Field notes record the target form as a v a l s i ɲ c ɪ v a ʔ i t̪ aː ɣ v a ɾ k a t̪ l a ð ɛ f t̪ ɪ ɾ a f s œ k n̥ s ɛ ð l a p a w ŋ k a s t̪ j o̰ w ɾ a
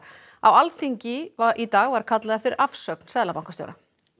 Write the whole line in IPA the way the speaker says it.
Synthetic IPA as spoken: a w a l θ i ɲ c ɪ v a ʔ i t̪ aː ɣ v a ɾ kʰ a t̪ l a ð ɛ f t̪ ɪ ɾ a f s œ k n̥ s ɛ ð l a p a w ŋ k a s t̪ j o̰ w ɾ a